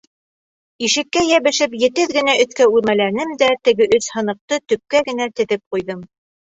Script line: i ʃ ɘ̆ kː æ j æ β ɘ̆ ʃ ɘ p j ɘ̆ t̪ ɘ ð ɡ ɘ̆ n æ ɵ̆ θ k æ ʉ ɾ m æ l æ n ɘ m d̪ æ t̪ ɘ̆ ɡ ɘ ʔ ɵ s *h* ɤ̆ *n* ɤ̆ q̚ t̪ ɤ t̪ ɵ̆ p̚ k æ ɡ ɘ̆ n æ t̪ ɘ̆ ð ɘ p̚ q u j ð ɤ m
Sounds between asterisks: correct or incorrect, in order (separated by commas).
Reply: correct, correct